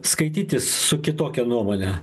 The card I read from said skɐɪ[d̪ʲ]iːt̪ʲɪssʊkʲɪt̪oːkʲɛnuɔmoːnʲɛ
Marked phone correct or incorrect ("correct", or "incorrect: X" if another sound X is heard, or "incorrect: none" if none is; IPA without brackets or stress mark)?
incorrect: t̪ʲ